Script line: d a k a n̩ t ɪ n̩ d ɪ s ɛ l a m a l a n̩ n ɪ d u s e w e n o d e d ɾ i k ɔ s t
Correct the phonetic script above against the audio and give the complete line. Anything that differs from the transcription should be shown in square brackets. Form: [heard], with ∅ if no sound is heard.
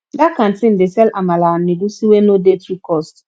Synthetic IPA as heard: d a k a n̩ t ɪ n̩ d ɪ s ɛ l a m a l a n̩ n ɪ d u s [i] w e n o d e [t] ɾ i k ɔ s t